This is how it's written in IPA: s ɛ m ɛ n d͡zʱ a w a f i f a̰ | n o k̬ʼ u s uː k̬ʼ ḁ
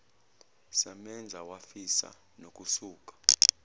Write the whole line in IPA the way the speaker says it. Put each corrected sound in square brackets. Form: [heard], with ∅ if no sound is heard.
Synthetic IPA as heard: s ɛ m ɛ n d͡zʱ a w a f i [s] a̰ | n o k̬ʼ u s uː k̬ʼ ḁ